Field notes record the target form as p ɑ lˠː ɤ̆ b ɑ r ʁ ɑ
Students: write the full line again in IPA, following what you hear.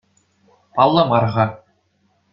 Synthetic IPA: p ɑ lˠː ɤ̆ m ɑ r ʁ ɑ